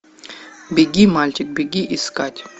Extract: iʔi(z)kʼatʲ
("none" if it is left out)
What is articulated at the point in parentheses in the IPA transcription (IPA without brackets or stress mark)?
s